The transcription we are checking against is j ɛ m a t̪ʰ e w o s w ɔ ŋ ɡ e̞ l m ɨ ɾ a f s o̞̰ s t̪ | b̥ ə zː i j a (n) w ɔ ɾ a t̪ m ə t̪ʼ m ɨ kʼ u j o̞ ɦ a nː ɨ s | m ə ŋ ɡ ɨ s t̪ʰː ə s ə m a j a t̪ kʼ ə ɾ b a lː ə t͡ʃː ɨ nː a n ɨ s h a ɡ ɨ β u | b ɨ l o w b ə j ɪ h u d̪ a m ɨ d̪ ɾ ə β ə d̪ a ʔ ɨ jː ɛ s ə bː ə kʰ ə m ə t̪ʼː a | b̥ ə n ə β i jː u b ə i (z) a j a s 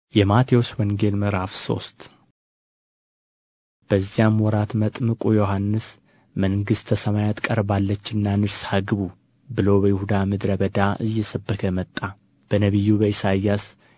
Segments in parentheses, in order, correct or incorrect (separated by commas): incorrect, incorrect